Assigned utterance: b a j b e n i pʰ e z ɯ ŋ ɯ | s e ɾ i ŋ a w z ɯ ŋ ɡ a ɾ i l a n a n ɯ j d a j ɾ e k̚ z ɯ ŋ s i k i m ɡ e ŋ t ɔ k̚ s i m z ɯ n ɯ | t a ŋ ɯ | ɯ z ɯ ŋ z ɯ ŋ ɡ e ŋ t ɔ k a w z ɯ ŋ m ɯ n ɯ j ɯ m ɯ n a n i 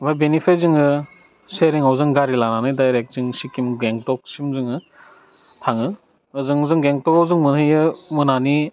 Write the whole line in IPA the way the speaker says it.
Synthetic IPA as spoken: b a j b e n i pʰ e z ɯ ŋ ɯ | s e ɾ i ŋ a w z ɯ ŋ ɡ a ɾ i l a n a n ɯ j d a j ɾ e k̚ z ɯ ŋ s i k i m ɡ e ŋ t ɔ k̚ s i m z ɯ ŋ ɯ | tʰ a ŋ ɯ | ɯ z ɯ ŋ z ɯ ŋ ɡ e ŋ t ɔ k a w z ɯ ŋ m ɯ n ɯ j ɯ m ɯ n a n i